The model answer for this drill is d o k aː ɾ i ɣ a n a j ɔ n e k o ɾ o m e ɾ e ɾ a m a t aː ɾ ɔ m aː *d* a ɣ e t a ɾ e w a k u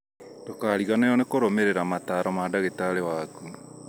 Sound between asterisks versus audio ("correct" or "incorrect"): correct